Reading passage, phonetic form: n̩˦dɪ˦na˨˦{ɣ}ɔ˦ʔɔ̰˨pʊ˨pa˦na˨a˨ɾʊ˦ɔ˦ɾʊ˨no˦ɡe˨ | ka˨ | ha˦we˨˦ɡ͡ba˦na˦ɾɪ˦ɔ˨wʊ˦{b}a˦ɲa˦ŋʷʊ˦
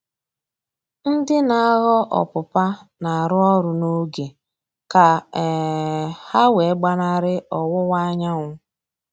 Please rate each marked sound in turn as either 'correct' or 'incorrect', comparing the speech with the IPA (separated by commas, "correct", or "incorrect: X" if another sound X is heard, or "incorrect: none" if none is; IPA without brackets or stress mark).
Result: correct, incorrect: w